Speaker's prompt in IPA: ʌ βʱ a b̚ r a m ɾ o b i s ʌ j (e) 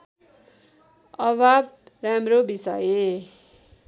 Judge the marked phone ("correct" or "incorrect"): correct